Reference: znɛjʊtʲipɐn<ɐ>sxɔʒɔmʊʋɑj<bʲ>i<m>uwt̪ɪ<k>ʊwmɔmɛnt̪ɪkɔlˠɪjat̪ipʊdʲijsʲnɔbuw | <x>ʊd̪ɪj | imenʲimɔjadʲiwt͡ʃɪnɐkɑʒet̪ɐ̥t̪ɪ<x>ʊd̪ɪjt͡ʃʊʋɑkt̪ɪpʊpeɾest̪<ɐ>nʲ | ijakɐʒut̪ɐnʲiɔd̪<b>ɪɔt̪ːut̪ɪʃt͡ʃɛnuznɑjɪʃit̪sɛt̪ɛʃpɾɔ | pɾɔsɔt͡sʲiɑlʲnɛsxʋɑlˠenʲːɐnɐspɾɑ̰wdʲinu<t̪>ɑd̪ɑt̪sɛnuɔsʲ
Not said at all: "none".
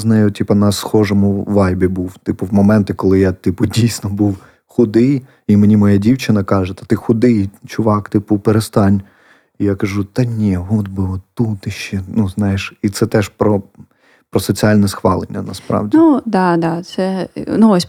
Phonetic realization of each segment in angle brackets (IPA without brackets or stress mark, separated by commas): ɐ, bʲ, b, p, x, x, ɑ, b, d̪